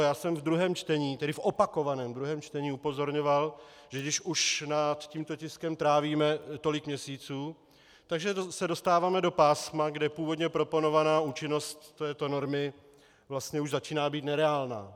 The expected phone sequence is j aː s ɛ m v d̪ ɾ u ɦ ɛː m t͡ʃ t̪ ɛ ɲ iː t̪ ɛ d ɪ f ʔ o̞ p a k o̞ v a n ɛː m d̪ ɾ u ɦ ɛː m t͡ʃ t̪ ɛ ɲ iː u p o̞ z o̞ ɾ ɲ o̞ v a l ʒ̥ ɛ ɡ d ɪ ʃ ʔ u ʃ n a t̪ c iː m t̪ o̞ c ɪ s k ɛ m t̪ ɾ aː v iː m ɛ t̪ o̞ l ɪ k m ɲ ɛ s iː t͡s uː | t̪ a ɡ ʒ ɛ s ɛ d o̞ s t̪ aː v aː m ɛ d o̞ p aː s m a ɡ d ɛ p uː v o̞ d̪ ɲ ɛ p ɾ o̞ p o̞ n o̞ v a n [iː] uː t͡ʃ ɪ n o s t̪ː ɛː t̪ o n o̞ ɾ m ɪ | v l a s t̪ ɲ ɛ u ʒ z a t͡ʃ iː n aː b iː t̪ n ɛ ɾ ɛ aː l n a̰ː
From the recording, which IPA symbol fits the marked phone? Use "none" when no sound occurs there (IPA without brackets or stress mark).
aː